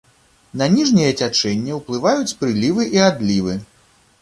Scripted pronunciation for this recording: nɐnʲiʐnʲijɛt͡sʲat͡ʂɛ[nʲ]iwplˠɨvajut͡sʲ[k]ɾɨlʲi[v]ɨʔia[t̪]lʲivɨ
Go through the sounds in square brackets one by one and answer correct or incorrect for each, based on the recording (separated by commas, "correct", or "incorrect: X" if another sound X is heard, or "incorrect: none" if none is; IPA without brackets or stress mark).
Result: incorrect: nʲː, incorrect: p, correct, incorrect: d̪